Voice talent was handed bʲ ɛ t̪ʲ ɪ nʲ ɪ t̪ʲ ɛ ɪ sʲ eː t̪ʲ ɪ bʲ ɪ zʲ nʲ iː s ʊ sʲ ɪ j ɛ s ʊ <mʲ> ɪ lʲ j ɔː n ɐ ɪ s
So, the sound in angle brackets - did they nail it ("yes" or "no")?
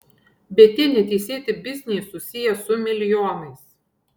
yes